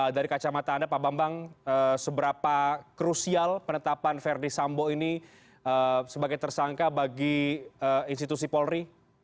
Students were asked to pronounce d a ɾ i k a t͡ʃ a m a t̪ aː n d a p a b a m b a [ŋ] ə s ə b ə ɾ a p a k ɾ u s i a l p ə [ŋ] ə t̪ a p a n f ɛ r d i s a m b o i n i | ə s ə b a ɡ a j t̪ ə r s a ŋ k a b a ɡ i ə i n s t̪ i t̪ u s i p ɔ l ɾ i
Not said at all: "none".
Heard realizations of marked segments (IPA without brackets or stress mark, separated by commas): ŋ, n